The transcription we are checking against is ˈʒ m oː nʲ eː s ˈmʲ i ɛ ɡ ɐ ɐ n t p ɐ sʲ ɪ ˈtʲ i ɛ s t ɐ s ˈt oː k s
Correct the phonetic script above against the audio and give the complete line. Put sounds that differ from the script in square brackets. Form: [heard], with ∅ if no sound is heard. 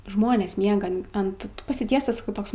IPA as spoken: ˈʒ m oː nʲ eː s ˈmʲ i ɛ ɡ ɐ ɐ n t p ɐ sʲ ɪ ˈtʲ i ɛ s t ɐ s ˈt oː k s